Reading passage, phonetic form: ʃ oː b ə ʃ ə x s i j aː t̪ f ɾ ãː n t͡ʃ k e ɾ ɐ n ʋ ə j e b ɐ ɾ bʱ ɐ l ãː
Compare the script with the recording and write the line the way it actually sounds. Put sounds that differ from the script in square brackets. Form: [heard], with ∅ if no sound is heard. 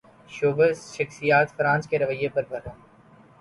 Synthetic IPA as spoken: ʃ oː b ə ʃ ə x s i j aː t̪ f ɾ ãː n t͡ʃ k e ɾ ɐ [∅] ʋ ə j e [p] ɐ ɾ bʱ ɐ [ɾ] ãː